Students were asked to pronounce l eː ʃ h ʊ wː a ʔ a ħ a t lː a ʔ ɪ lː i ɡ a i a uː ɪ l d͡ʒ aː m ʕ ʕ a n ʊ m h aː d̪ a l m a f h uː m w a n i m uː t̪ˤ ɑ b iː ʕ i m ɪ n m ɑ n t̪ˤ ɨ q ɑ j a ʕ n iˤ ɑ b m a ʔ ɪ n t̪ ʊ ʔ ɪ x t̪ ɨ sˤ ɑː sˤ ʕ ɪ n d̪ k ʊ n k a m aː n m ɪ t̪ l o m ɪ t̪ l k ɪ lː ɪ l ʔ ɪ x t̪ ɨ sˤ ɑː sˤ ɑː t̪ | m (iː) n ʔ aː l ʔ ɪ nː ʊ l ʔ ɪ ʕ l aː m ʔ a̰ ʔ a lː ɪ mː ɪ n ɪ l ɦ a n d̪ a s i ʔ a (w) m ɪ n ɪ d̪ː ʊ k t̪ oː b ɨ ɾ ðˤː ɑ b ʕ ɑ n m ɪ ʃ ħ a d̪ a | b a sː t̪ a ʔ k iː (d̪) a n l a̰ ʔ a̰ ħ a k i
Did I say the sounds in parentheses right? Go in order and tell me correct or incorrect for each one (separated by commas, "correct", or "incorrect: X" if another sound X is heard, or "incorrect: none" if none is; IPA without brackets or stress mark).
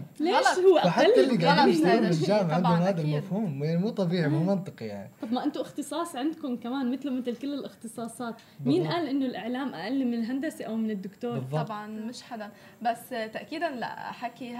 correct, correct, correct